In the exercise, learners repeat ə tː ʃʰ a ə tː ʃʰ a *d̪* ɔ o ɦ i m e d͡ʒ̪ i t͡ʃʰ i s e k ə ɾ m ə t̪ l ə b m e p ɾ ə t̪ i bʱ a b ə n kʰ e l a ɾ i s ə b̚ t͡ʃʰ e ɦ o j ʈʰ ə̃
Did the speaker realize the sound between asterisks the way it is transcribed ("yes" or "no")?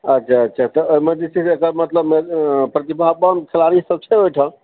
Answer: no